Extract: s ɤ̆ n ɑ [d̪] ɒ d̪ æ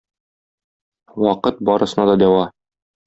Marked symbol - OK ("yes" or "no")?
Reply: yes